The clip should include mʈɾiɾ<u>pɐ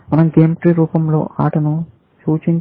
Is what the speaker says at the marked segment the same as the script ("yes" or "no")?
no